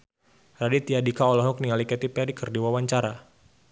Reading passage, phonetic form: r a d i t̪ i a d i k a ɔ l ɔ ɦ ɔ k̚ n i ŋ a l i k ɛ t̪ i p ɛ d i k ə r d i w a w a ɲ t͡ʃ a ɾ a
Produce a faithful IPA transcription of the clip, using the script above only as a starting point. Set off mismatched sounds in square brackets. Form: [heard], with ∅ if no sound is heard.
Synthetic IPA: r a d i t̪ i a d i k a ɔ l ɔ ɦ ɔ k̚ n i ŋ a l i k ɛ t̪ i p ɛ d i k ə r d i w a w a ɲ t͡ʃ a ɾ a